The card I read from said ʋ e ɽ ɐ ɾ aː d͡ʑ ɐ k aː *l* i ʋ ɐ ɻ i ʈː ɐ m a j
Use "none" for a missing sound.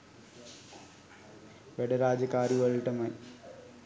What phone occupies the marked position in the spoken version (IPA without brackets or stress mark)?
ɾ